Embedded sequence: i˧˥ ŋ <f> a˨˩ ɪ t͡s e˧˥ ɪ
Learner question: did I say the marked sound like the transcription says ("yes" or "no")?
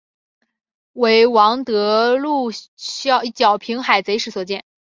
no